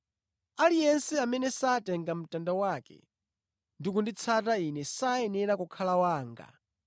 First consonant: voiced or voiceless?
voiced